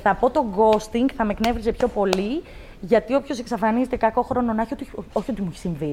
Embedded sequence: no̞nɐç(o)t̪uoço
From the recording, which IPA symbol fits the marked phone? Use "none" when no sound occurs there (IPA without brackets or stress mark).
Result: o